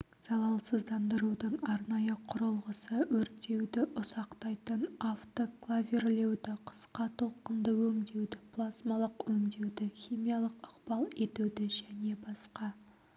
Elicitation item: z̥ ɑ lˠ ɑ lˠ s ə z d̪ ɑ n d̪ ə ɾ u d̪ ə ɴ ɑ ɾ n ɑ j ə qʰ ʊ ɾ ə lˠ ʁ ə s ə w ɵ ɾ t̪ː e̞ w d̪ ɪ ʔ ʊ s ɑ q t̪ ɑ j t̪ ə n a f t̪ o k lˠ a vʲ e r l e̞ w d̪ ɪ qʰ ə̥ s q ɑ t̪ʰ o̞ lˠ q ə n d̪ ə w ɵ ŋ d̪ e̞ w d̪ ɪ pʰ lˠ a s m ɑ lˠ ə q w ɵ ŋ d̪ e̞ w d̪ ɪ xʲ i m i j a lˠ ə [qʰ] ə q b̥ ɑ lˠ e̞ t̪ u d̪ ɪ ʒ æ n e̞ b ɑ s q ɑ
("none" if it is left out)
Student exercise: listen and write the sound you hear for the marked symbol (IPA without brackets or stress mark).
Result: q